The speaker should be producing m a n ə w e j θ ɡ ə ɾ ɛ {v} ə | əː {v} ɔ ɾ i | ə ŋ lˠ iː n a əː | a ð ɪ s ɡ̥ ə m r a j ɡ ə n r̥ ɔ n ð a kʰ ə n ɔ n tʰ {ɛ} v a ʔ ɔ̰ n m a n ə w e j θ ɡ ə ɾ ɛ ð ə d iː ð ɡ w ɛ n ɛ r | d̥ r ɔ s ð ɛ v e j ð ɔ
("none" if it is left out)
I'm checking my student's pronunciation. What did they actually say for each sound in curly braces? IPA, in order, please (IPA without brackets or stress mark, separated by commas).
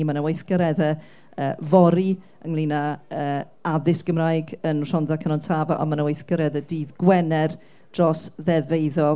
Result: ð, v, a